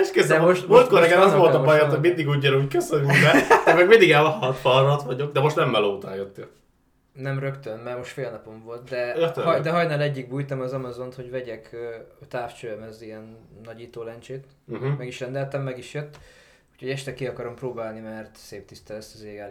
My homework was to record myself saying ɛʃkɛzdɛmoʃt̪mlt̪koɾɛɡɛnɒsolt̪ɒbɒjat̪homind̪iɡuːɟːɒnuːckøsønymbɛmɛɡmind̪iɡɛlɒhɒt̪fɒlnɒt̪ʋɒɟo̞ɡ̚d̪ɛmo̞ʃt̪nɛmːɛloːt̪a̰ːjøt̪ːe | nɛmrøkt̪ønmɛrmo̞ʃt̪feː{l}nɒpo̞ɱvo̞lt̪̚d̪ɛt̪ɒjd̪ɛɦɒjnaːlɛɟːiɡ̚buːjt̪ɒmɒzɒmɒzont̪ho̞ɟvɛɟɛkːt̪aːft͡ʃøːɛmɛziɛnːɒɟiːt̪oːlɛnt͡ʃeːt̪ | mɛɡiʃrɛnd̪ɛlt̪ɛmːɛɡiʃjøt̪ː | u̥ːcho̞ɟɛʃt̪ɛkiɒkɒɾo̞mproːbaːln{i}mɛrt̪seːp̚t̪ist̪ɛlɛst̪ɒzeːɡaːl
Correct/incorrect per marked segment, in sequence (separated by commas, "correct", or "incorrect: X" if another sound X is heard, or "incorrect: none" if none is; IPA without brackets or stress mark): correct, correct